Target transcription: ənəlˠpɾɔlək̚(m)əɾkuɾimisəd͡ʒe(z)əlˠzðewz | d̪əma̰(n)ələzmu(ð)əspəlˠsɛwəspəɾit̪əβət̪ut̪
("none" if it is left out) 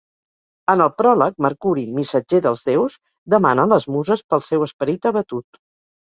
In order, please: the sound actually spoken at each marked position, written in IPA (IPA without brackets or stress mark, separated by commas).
m, ð, n, z